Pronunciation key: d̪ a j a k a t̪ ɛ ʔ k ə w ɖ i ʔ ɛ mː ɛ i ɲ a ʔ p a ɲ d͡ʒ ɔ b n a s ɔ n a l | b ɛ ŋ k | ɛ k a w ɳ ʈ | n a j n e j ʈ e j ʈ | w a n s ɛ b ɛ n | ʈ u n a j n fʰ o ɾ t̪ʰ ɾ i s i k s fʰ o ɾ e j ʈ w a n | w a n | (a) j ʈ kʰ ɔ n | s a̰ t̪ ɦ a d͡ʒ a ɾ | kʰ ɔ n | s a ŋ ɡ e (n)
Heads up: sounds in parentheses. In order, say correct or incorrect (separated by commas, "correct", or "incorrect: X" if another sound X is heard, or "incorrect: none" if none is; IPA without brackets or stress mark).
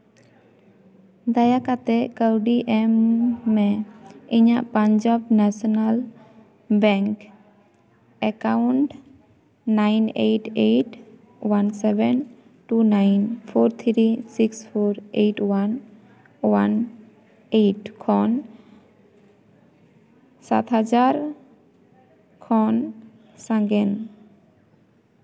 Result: incorrect: e, correct